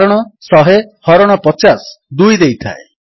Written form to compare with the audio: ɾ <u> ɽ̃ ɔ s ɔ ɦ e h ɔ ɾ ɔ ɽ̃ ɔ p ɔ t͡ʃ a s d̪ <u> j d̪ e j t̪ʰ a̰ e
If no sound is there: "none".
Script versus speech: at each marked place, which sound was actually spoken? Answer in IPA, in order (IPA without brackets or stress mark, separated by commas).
ɔ, u